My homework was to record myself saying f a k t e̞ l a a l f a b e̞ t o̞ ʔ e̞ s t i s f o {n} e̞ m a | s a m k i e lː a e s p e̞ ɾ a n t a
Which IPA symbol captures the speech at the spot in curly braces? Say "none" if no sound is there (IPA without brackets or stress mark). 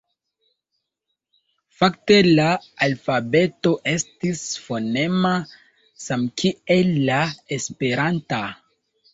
n